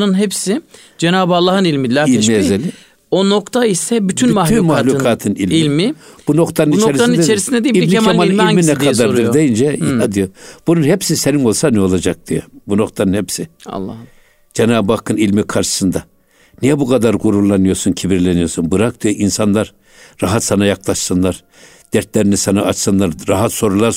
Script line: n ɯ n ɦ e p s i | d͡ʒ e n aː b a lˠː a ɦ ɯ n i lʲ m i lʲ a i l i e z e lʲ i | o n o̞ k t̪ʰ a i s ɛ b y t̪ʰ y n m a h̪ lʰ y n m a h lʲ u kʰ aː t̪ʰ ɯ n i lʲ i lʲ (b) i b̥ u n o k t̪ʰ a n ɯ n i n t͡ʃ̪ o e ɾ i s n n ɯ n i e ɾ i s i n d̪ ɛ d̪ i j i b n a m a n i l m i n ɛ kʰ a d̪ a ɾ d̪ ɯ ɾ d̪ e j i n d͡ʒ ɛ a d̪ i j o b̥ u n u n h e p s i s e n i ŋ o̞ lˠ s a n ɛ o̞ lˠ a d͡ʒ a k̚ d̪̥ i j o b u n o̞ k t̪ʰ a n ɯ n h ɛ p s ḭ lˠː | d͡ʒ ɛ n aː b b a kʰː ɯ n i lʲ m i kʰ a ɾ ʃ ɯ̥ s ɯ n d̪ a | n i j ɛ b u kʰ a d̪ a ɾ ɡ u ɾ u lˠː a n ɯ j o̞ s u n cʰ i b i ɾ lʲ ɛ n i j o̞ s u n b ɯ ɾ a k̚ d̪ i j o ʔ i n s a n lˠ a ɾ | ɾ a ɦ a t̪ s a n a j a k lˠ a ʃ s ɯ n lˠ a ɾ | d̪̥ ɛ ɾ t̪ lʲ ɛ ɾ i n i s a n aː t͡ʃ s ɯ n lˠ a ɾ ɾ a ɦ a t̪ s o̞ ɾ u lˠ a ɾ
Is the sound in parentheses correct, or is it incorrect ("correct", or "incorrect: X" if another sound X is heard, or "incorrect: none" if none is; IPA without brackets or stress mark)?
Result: incorrect: m